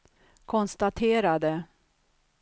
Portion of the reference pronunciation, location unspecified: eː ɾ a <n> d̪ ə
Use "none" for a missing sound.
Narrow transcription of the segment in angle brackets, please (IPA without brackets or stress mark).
none